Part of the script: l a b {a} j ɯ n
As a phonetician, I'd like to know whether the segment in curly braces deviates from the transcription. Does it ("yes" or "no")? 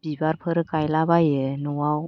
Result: no